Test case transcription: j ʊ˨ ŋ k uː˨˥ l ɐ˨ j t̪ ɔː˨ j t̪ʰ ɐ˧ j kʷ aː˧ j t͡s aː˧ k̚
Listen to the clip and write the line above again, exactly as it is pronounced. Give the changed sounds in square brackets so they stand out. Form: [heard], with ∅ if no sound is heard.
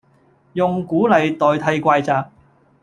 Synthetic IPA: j ʊ˨ ŋ k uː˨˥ l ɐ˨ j t̪ ɔː˨ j t̪ʰ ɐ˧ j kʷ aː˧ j t͡s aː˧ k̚